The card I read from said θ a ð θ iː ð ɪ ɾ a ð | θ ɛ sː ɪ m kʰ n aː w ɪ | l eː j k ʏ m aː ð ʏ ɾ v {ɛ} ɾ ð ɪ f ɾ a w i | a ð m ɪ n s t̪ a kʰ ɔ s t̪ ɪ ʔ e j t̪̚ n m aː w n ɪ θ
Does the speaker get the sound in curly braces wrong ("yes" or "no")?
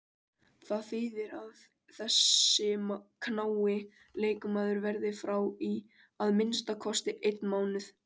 no